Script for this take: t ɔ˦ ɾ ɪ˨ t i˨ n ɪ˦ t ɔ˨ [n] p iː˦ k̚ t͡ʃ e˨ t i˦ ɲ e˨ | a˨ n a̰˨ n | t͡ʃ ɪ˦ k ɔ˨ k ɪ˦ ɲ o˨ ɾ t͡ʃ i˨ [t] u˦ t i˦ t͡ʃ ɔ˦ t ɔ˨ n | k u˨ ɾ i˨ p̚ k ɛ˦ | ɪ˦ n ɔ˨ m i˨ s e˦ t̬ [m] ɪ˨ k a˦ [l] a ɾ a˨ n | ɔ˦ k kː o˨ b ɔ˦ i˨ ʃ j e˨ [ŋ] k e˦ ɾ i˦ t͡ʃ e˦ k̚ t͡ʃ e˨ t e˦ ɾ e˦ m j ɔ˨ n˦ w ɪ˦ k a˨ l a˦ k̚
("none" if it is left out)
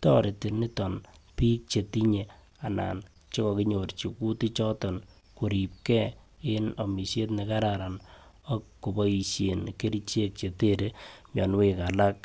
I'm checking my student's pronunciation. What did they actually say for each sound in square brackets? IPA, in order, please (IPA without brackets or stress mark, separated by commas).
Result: n, k, n, ɾ, n